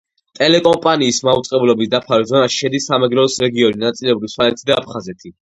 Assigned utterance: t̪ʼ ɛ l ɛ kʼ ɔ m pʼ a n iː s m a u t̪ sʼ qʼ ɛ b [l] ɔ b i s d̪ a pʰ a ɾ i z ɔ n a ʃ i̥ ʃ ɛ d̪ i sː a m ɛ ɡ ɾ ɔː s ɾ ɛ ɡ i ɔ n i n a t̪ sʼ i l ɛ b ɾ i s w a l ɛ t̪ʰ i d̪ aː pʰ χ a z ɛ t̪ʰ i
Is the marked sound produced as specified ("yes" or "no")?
yes